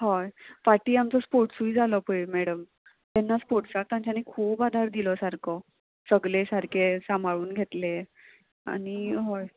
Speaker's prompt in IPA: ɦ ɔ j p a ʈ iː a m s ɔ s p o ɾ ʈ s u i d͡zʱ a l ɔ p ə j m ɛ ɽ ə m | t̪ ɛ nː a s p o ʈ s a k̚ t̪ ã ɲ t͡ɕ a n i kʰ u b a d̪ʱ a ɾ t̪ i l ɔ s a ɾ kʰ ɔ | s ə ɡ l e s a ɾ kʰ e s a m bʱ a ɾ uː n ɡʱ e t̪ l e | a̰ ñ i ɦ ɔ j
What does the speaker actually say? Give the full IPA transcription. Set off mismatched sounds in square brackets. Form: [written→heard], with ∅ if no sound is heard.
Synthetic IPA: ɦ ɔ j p a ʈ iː a m [s→t͡s] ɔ s p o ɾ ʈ s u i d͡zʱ a l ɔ p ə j m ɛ ɽ ə m | t̪ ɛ nː a s p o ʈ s a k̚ t̪ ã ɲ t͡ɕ a n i kʰ [u→uː] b a d̪ʱ a ɾ [t̪→d̪] i l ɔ s a ɾ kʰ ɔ | s ə ɡ l e s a ɾ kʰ e s a m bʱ a [ɾ→ɭ] uː n ɡʱ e t̪ l e | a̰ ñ i ɦ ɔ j